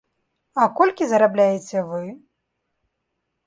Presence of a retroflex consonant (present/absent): absent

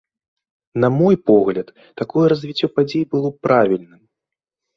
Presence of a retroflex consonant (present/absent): absent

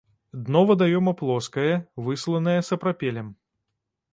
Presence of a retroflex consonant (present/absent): absent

